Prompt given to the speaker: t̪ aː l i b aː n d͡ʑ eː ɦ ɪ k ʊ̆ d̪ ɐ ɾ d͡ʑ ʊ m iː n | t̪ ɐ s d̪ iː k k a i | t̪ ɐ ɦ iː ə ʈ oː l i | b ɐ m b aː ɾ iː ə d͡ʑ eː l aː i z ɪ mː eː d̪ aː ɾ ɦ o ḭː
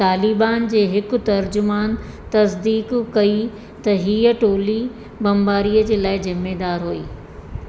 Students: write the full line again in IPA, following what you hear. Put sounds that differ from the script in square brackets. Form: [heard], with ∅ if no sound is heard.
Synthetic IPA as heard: t̪ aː l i b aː n d͡ʑ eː ɦ ɪ k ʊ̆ [t̪] ɐ ɾ d͡ʑ ʊ m [aː] n | t̪ ɐ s d̪ iː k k [ɐ] i | t̪ ɐ ɦ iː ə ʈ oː l i | b ɐ m b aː ɾ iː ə d͡ʑ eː l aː [ɪ] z ɪ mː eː d̪ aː ɾ ɦ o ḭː